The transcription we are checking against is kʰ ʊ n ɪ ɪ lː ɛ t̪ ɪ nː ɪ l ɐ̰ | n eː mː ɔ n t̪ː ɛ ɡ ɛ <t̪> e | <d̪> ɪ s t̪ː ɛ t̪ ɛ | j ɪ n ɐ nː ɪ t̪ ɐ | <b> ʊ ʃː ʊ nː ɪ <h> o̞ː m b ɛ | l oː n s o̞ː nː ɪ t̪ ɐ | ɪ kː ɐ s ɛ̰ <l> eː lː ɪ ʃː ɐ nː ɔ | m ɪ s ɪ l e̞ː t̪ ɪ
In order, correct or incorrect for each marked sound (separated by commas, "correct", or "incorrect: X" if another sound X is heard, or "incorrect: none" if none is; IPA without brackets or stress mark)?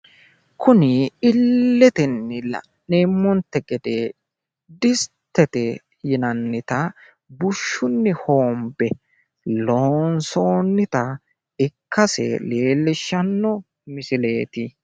incorrect: d̪, correct, correct, correct, correct